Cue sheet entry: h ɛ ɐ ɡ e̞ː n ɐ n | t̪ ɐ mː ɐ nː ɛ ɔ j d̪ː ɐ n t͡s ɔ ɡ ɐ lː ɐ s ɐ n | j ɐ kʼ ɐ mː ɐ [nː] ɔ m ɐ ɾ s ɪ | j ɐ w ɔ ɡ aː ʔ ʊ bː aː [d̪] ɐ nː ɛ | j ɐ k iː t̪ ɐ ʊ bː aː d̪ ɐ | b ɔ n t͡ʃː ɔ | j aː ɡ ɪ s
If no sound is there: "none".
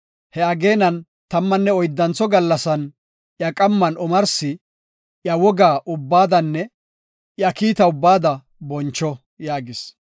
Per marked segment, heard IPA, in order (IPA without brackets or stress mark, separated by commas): n, d̪